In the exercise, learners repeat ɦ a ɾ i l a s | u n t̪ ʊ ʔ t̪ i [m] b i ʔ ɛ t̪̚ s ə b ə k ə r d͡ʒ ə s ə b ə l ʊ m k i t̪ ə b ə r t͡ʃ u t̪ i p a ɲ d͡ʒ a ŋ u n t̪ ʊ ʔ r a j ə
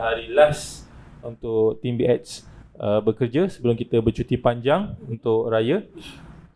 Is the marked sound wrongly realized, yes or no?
no